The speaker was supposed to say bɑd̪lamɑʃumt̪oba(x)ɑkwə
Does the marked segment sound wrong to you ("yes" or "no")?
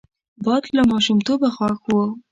no